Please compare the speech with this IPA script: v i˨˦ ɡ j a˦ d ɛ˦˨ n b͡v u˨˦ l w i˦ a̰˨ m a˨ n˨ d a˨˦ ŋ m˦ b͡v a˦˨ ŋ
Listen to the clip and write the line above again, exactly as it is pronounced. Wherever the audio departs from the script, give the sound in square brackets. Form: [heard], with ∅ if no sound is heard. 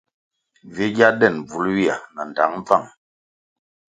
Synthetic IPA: v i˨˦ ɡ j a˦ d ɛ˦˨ n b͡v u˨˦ l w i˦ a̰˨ [n] a˨ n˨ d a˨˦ ŋ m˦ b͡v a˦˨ ŋ